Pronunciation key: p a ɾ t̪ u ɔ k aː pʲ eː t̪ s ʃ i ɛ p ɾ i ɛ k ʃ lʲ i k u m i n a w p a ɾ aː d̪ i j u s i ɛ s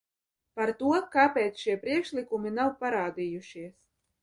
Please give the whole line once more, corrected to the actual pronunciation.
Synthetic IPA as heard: p a ɾ t̪ u ɔ k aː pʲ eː t̪ s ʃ i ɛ p ɾ i ɛ k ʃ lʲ i k u m i n a w p a ɾ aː d̪ i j u ʃ i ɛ s